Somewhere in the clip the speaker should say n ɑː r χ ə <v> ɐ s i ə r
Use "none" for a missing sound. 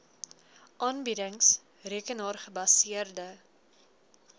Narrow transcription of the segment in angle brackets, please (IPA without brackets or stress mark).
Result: b